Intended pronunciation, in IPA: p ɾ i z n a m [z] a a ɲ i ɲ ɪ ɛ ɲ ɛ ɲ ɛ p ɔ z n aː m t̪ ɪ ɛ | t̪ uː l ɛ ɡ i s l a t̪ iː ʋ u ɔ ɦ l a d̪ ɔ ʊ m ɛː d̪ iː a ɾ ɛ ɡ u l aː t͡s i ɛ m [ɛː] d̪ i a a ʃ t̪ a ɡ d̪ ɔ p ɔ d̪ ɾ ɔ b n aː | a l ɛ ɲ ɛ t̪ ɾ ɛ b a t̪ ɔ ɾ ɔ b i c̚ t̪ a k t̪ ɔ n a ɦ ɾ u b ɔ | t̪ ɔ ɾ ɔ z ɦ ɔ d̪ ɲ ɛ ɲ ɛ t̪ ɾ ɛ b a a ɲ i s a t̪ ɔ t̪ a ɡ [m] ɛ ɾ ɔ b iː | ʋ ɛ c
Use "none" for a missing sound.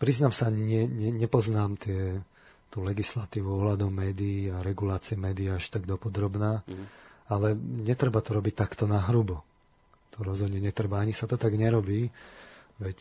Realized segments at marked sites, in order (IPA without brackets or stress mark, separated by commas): s, ɛː, ɲ